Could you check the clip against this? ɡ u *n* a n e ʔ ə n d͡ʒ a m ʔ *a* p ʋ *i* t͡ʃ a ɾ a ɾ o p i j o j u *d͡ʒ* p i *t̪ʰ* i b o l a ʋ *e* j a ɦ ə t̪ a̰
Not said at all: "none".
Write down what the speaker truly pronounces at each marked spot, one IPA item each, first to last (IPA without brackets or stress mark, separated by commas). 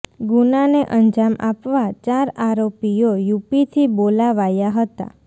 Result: n, a, a, none, t̪ʰ, a